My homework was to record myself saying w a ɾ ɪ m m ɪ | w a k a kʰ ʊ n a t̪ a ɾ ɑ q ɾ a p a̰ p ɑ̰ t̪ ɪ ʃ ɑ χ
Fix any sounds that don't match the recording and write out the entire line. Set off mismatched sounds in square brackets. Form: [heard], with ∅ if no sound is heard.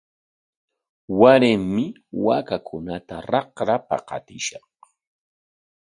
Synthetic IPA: w a ɾ ɪ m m ɪ | w a k a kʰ ʊ n a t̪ a ɾ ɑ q ɾ a p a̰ [q] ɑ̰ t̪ ɪ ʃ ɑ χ